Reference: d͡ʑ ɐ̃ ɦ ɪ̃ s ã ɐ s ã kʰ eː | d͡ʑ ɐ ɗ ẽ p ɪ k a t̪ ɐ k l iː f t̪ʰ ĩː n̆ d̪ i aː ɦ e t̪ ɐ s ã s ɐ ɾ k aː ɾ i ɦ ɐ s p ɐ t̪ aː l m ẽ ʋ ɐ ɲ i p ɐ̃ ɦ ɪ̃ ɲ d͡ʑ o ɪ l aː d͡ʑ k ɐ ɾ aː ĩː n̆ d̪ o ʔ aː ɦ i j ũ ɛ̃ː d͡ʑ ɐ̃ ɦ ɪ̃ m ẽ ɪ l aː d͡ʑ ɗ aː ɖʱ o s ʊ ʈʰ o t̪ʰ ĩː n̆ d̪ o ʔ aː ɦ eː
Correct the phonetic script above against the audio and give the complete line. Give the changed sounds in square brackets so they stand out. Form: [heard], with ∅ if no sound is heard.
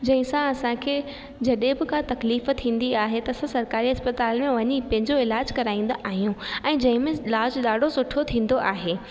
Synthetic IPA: d͡ʑ ɐ̃ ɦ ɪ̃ s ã ɐ s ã kʰ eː | d͡ʑ ɐ ɗ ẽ [b] ɪ k a t̪ ɐ k l iː f t̪ʰ ĩː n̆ d̪ i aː ɦ e t̪ ɐ s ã s ɐ ɾ k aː ɾ i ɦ ɐ s p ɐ t̪ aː l m ẽ ʋ ɐ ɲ i p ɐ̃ ɦ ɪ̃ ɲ d͡ʑ o ɪ l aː d͡ʑ k ɐ ɾ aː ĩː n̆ d̪ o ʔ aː ɦ i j ũ ɛ̃ː d͡ʑ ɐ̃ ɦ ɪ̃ m ẽ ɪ l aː d͡ʑ ɗ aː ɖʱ o s ʊ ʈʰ o t̪ʰ ĩː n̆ d̪ o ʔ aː ɦ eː

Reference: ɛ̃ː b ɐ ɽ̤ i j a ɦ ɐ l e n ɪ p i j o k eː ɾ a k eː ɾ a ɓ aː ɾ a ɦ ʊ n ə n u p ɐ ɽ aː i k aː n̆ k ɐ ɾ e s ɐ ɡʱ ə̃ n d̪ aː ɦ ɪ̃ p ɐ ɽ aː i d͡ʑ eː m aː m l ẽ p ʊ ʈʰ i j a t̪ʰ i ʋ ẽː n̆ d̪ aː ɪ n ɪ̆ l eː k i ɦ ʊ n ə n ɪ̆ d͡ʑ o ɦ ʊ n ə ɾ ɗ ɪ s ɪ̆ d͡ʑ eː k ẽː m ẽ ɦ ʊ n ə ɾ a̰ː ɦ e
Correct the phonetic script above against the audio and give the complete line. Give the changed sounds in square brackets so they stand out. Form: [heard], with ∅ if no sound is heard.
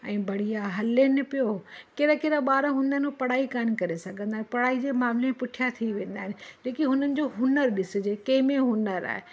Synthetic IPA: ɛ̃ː b ɐ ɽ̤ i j a ɦ ɐ l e n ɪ p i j o k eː ɾ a k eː ɾ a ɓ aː ɾ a ɦ ʊ n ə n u p ɐ ɽ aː i k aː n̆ k ɐ ɾ e s ɐ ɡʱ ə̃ n d̪ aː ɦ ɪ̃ p ɐ ɽ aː i d͡ʑ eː m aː m l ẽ p ʊ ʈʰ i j a t̪ʰ i ʋ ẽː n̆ d̪ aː ɪ n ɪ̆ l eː k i ɦ ʊ n ə n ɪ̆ d͡ʑ o ɦ ʊ n ə ɾ ɗ ɪ s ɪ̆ d͡ʑ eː k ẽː m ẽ ɦ ʊ n ə ɾ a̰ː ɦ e

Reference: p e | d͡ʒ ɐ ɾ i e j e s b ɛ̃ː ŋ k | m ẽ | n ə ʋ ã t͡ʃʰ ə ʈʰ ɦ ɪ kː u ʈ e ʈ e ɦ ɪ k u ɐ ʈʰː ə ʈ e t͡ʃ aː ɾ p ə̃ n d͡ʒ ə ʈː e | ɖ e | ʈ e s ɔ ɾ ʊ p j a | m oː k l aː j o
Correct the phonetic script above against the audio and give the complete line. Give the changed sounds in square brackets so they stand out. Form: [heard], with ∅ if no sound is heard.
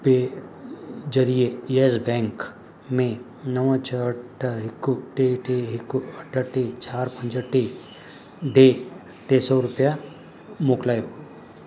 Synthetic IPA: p e | d͡ʒ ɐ ɾ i e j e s b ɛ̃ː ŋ k | m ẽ | n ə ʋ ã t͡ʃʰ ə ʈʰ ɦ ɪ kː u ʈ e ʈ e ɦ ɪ k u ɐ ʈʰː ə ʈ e t͡ʃ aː ɾ p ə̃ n d͡ʒ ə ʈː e | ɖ e | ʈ e s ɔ ɾ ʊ p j a | m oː k l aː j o

